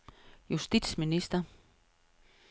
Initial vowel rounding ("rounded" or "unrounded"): rounded